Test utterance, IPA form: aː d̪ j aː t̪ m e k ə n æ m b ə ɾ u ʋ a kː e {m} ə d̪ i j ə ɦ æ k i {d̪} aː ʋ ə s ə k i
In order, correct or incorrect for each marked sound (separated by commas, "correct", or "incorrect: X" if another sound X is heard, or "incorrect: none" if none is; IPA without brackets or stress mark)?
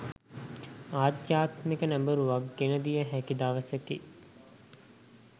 incorrect: n, correct